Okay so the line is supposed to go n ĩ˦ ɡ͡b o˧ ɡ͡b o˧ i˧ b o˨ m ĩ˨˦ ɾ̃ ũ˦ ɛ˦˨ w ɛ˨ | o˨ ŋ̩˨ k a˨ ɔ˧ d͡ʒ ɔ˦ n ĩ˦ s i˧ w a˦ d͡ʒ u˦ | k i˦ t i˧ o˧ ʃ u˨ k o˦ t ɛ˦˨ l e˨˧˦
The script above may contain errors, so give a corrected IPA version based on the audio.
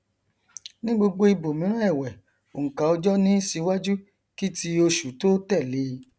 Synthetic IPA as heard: n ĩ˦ ɡ͡b o˧ ɡ͡b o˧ i˧ b o˨ m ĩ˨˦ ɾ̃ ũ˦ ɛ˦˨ w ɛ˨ | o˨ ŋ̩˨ k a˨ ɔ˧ d͡ʒ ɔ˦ n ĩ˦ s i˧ w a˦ d͡ʒ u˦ | k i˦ t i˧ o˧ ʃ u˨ t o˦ t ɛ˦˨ l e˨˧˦